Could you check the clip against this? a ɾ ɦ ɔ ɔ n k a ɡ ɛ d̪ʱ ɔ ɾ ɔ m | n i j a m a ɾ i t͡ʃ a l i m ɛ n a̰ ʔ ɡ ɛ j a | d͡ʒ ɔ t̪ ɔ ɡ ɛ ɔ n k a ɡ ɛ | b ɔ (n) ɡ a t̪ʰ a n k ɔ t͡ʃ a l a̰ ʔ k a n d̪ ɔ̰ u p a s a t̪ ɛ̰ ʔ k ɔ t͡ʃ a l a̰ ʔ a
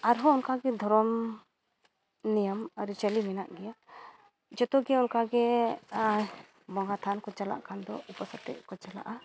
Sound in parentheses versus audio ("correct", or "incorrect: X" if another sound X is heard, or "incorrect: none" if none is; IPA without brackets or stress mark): incorrect: ŋ